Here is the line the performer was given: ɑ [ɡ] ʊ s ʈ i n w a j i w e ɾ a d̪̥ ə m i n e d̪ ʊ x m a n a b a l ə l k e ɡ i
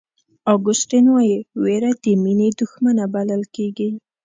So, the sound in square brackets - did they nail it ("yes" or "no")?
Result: yes